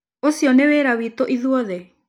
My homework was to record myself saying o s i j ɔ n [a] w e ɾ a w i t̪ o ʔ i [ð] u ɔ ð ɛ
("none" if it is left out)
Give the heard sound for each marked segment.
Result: e, ð

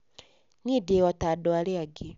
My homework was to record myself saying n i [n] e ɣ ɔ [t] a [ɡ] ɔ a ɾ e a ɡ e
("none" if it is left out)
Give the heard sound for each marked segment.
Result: d, t, d

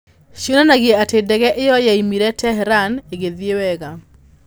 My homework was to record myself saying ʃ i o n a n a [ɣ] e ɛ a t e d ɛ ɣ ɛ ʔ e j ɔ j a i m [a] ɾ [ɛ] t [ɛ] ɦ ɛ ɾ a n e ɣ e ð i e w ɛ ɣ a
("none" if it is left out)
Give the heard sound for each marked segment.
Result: ɣ, i, ɛ, ɛ

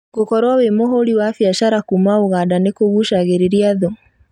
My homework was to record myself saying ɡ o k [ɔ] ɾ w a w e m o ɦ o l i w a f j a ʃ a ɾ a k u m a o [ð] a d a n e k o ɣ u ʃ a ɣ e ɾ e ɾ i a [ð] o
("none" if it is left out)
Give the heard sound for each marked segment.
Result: ɔ, ɣ, ð

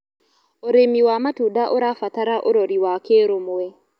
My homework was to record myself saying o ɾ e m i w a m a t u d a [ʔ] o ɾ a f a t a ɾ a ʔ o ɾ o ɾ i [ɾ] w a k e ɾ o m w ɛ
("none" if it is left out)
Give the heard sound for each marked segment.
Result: ʔ, none

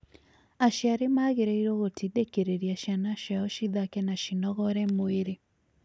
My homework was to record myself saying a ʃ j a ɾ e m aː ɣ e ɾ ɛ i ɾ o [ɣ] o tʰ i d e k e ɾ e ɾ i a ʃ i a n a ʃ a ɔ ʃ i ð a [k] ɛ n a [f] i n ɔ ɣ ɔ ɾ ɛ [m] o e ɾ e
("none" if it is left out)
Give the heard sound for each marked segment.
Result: ɣ, k, ʃ, m

